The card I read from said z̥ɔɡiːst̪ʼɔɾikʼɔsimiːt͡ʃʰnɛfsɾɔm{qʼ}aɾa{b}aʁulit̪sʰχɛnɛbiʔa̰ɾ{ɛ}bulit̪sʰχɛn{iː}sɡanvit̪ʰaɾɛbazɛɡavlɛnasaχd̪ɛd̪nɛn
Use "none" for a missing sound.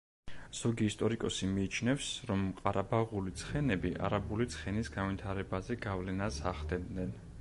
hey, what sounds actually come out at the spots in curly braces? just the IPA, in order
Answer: qʼ, b, a, i

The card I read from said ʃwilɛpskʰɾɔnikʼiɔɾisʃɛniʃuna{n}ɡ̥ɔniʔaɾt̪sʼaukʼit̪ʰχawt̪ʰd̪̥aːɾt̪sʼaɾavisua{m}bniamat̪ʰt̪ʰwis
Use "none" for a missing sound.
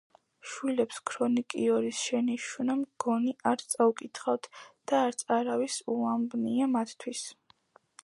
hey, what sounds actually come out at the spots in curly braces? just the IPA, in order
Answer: m, m

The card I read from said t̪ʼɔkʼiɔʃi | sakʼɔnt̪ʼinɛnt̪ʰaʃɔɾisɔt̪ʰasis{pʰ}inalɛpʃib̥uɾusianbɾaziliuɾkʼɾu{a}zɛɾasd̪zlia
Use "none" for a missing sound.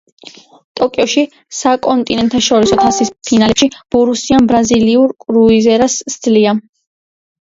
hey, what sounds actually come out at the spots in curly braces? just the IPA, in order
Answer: pʰ, i

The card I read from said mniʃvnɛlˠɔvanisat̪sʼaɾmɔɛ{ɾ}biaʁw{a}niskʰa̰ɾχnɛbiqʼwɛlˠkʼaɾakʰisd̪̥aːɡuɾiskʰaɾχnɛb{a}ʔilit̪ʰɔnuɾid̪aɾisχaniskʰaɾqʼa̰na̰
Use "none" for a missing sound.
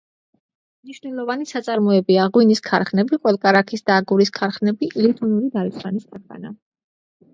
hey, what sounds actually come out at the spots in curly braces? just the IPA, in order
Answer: none, i, i

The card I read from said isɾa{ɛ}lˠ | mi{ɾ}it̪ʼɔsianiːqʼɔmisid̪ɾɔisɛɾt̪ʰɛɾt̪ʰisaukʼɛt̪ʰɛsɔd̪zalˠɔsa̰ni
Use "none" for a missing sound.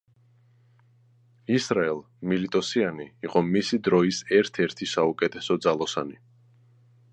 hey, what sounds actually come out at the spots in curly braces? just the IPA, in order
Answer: ɛ, l

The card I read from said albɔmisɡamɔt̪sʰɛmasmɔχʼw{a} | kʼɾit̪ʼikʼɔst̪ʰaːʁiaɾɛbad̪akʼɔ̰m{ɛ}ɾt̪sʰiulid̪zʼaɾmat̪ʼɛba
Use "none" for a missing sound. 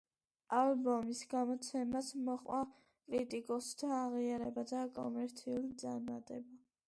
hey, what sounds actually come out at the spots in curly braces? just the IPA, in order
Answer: a, ɛ

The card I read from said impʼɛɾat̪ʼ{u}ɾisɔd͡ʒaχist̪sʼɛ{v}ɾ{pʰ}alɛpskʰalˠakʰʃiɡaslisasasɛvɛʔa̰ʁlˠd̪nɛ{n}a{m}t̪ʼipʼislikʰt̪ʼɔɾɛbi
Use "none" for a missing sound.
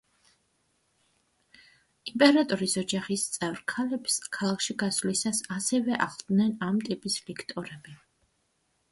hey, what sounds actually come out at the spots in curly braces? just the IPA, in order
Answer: ɔ, v, kʰ, n, m

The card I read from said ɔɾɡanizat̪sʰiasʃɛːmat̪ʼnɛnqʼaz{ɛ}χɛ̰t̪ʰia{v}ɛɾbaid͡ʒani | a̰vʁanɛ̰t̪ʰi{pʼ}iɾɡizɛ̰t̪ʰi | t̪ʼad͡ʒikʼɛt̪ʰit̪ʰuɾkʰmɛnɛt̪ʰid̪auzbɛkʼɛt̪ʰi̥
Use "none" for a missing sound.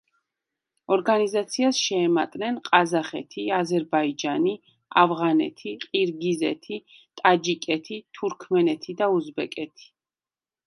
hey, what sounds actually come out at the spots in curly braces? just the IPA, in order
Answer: a, z, qʼ

